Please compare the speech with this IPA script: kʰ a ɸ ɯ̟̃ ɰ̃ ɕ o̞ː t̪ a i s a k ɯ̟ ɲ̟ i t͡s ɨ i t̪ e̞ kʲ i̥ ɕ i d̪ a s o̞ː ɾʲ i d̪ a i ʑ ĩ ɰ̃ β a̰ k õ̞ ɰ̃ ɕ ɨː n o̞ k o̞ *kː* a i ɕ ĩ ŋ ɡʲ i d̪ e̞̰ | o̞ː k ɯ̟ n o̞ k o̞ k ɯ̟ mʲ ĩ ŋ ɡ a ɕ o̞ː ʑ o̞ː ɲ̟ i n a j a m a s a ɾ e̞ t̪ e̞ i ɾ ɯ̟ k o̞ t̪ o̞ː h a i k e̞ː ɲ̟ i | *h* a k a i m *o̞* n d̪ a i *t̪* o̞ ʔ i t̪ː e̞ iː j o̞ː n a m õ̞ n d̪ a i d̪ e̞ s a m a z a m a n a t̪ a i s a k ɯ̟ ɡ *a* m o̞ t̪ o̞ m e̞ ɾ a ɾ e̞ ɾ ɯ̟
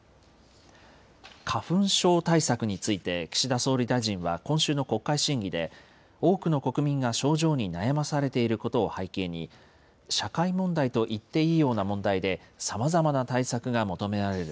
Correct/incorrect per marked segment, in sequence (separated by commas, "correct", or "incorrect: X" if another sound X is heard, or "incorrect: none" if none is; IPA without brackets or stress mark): correct, incorrect: ɕ, incorrect: õ̞, correct, correct